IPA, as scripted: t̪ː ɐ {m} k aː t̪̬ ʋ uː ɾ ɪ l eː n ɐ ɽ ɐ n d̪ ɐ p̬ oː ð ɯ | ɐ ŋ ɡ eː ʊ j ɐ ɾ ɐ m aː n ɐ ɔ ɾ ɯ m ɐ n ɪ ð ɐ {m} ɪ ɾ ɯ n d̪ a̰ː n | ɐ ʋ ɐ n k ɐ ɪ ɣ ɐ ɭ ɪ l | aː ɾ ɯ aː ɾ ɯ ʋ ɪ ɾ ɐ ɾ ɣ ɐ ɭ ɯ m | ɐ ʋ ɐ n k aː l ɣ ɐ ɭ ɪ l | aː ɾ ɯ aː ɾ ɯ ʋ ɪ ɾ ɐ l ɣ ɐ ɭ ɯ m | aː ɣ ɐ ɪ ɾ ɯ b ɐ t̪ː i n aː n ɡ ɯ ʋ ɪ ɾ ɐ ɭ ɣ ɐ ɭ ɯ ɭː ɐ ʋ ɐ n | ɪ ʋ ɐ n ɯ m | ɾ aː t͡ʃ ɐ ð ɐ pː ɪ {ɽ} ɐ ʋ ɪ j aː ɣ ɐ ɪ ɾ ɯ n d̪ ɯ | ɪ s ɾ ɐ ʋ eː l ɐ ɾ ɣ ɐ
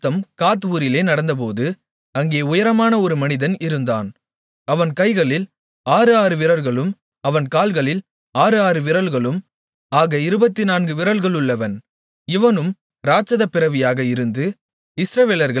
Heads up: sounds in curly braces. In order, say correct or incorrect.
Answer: correct, incorrect, incorrect

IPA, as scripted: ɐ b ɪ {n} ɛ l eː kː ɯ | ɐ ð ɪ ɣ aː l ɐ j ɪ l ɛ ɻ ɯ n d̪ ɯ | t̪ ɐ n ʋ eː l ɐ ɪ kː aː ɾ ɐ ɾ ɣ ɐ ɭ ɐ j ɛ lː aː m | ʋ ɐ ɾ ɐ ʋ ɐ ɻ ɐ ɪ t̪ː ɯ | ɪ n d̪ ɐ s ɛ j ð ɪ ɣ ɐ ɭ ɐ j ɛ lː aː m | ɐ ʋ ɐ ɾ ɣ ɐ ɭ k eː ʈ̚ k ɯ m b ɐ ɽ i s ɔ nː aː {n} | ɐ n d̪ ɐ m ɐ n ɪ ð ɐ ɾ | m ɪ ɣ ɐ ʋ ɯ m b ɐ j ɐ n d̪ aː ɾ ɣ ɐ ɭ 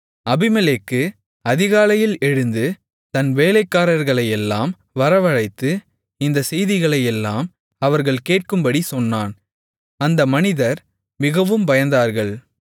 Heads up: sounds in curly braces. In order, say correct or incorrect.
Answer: incorrect, correct

